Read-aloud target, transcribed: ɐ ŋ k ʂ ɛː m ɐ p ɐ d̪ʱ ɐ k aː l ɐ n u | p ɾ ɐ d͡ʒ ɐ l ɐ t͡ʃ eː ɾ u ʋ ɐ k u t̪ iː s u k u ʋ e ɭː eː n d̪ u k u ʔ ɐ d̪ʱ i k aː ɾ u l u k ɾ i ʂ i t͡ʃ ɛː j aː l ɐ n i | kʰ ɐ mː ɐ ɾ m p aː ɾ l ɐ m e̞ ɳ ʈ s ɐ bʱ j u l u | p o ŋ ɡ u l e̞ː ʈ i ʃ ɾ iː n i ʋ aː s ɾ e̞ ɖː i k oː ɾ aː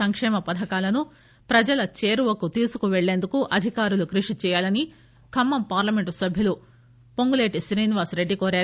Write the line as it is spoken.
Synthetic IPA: ɐ ŋ k ʂ ɛː m ɐ p ɐ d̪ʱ ɐ k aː l ɐ n u | p ɾ ɐ d͡ʒ ɐ l ɐ t͡ʃ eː ɾ u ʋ ɐ k u t̪ iː s u k u ʋ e ɭː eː n d̪ u k u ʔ ɐ d̪ʱ i k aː ɾ u l u k ɾ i ʂ i t͡ʃ ɛː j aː l ɐ n i | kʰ ɐ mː ɐ m p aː ɾ l ɐ m e̞ ɳ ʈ s ɐ bʱ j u l u | p o ŋ ɡ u l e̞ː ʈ i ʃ ɾ iː n i ʋ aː s ɾ e̞ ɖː i k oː ɾ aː